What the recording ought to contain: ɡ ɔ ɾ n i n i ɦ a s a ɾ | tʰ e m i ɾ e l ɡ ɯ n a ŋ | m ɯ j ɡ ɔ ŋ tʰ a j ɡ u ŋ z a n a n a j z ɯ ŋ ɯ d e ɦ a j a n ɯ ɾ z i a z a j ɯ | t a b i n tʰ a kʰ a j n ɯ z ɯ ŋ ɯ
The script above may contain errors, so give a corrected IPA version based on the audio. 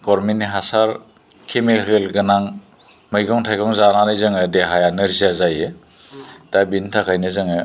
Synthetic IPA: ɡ ɔ ɾ m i n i ɦ a s a ɾ | kʰ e m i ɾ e l ɡ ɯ n a ŋ | m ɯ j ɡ ɔ ŋ tʰ a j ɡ ɔ ŋ z a n a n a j z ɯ ŋ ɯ d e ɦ a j a n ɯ ɾ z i a z a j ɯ | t a b i n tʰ a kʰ a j n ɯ z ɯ ŋ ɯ